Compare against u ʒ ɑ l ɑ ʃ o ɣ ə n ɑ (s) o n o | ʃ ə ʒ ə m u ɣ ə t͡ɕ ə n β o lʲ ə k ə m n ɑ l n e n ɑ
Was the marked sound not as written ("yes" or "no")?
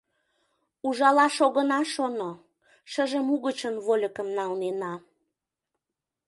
yes